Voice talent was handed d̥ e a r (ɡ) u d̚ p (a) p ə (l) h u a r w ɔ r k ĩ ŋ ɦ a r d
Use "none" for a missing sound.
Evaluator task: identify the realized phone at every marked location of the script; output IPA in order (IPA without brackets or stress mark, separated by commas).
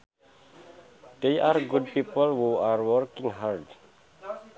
ɡ, i, l